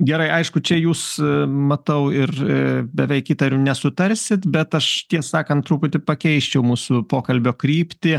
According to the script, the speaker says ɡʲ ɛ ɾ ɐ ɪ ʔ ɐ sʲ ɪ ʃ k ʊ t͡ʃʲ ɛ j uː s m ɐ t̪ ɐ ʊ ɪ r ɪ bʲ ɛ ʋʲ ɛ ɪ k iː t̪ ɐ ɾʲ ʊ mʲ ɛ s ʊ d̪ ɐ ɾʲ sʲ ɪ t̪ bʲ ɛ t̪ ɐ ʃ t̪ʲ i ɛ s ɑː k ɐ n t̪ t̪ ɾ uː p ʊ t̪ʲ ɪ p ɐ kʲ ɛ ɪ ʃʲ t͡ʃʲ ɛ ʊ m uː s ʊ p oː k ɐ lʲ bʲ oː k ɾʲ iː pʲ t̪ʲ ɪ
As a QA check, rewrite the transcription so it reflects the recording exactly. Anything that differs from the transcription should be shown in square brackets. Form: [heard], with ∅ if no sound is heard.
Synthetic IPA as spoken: ɡʲ ɛ ɾ ɐ ɪ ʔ ɐ [∅] ɪ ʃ k ʊ t͡ʃʲ ɛ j uː s m ɐ t̪ ɐ ʊ ɪ r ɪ bʲ ɛ ʋʲ ɛ ɪ k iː t̪ ɐ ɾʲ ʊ [nʲ] ɛ s ʊ [t̪] ɐ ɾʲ sʲ ɪ t̪ bʲ ɛ t̪ ɐ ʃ t̪ʲ i ɛ s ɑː k ɐ n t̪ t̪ ɾ uː p ʊ t̪ʲ ɪ p ɐ kʲ ɛ ɪ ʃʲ t͡ʃʲ ɛ ʊ m uː s ʊ p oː k ɐ lʲ bʲ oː k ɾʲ iː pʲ t̪ʲ ɪ